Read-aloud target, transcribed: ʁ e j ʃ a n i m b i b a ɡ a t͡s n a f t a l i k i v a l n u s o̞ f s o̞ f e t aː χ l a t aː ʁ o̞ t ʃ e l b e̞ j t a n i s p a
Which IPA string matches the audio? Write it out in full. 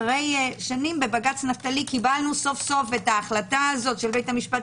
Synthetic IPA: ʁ e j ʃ a n i m b e b a ɡ a t͡s n a f t a l i k i b a l n u s o̞ f s o̞ f e t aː χ l a t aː z o̞ t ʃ e l b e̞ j t a m i ʃ p a